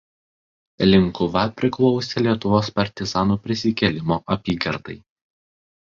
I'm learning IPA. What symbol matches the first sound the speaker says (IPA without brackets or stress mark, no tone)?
lʲ